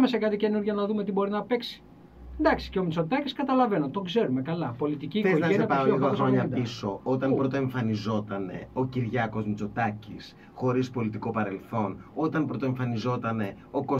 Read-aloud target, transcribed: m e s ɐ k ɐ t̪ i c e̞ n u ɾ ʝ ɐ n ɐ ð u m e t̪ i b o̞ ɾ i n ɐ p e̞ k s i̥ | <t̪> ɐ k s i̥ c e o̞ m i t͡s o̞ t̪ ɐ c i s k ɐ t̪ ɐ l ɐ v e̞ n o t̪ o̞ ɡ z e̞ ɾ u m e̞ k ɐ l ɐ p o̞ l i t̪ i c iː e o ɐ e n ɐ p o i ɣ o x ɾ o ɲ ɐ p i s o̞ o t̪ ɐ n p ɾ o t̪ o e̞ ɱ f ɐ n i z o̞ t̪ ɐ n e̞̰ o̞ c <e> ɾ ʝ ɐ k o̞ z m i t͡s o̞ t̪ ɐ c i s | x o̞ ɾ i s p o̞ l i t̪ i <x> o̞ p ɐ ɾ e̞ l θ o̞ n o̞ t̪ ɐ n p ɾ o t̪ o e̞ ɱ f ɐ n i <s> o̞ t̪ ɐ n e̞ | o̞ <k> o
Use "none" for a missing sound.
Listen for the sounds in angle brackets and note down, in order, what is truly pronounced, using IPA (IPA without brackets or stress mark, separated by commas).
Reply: d̪, i, k, z, k